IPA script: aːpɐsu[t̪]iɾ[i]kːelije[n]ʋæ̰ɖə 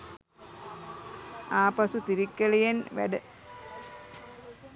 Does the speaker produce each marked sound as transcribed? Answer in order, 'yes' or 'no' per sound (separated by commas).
yes, yes, yes